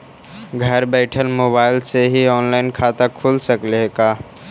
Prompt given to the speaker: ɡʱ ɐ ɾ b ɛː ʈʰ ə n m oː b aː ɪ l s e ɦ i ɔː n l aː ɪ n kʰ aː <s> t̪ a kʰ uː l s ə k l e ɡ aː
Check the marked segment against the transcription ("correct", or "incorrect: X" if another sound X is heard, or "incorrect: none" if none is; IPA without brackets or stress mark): incorrect: none